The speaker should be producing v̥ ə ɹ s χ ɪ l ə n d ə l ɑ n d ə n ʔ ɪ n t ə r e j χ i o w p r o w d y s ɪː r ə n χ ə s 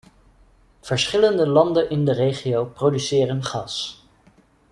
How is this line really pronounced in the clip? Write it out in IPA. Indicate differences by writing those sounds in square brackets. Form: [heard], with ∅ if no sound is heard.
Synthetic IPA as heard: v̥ ə ɹ s χ ɪ l ə n d ə l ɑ n d ə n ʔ ɪ n [d] ə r e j χ i o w p r o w d y s ɪː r ə n χ [ɑ] s

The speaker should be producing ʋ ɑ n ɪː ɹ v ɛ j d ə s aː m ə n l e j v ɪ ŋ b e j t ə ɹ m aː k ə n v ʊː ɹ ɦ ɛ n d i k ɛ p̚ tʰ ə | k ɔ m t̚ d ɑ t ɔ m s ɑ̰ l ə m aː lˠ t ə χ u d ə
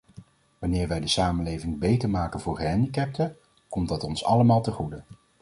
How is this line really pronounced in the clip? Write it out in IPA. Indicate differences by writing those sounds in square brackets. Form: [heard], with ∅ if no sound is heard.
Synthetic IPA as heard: ʋ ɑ n ɪː ɹ [ʋ] ɛ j d ə s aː m ə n l e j v ɪ ŋ b e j t ə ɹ m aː k ə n v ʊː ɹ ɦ ɛ n d i k ɛ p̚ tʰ ə | k ɔ m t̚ d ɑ t ɔ [n] s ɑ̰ l ə m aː lˠ t ə χ u d ə

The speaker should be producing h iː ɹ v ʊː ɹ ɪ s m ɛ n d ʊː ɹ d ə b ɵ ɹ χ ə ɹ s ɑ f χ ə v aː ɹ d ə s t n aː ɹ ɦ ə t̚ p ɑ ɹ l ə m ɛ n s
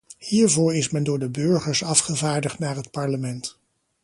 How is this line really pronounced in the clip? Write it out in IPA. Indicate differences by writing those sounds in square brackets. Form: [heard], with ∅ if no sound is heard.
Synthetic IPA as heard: h iː ɹ v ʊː ɹ ɪ s m ɛ n d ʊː ɹ d ə b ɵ ɹ χ ə ɹ s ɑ f χ ə v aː ɹ d ə [χ] t n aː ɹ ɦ ə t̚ p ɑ ɹ l ə m ɛ n [t]

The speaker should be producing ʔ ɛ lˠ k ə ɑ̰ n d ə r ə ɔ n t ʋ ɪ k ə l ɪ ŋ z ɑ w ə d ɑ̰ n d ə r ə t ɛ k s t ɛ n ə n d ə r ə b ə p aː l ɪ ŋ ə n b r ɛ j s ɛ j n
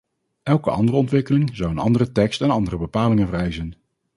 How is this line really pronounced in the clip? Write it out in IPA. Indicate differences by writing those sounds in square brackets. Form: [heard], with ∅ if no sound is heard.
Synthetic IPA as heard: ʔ ɛ lˠ k ə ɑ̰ n d ə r ə ɔ n t ʋ ɪ k ə l ɪ ŋ z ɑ w ə [n] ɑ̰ n d ə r ə t ɛ k s t ɛ n [ɑ] n d ə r ə b ə p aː l ɪ ŋ ə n [v] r ɛ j [z] ɛ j n

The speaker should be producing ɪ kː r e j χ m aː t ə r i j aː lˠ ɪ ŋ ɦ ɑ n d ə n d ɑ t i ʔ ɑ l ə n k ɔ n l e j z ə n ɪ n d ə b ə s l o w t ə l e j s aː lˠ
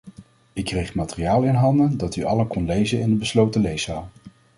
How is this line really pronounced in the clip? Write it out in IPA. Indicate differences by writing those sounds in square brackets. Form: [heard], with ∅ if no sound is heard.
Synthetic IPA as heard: ɪ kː r e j χ m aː t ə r i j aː lˠ ɪ [n] ɦ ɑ n d ə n d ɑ t [y] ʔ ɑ l ə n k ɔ n l e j z ə n ɪ n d ə b ə s l o w t ə l e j s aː lˠ

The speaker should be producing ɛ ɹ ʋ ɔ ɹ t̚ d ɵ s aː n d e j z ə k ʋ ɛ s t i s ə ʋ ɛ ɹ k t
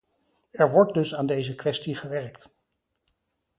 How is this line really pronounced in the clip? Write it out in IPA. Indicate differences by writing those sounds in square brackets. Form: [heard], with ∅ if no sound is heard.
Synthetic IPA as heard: ɛ ɹ ʋ ɔ ɹ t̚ d ɵ s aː n d e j z ə k ʋ ɛ s t i [χ] ə ʋ ɛ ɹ k t

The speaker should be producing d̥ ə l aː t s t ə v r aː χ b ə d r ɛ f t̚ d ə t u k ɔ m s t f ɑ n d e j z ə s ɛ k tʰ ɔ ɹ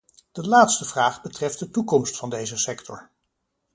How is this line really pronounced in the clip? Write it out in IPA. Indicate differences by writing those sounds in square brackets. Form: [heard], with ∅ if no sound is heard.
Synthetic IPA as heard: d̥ ə l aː t s t ə v r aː χ b ə [t] r ɛ f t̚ d ə t u k ɔ m s t f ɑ n d e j z ə s ɛ k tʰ ɔ ɹ

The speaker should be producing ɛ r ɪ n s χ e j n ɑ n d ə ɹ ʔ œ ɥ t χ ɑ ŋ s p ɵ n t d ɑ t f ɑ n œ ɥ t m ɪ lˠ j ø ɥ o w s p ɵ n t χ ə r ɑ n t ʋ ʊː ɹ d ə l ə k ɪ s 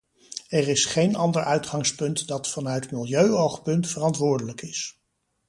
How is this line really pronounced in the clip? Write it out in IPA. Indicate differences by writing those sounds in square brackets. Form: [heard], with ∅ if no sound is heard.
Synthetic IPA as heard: ɛ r ɪ [∅] s χ e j n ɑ n d ə ɹ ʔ œ ɥ t χ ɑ ŋ s p ɵ n t d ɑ t f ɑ n œ ɥ t m ɪ lˠ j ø ɥ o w [χ] p ɵ n t [f] ə r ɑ n t ʋ ʊː ɹ d ə l ə k ɪ s

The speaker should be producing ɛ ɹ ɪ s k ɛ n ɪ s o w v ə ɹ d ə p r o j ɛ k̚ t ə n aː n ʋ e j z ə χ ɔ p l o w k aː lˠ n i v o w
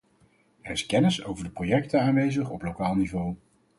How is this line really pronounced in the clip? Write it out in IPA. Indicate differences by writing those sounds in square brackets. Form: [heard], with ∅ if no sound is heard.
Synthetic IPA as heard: ɛ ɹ ɪ s k ɛ n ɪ s o w v ə ɹ d ə p r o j ɛ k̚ t ə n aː n ʋ e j z ə χ ɔ p l o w k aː lˠ n i v o w

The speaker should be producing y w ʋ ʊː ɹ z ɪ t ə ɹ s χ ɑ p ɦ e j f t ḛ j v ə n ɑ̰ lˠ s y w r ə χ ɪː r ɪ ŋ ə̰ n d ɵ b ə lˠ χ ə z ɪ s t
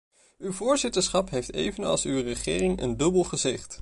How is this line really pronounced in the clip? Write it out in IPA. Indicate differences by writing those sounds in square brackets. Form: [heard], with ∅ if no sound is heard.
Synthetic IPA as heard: y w [v] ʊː ɹ z ɪ t ə ɹ s χ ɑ p ɦ e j f t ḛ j v ə n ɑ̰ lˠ s y w r ə χ ɪː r ɪ ŋ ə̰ n d ɵ b ə lˠ χ ə z ɪ [χ] t

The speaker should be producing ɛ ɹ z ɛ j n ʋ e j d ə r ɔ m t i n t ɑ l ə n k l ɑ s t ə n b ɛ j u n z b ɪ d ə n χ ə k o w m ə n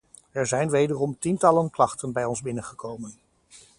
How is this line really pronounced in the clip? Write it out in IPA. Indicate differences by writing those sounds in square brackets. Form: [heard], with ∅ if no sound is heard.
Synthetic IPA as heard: ɛ ɹ z ɛ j n ʋ e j d ə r ɔ m t i n t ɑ l ə n k l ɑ [χ] t ə n b ɛ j [ɔ] n z b ɪ [n] ə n χ ə k o w m ə n

